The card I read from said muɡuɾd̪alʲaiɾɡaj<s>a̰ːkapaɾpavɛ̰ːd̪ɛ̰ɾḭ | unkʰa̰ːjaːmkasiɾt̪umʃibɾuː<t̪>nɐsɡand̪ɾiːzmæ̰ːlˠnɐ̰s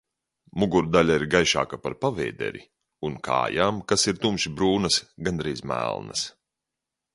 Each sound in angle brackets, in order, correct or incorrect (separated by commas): incorrect, incorrect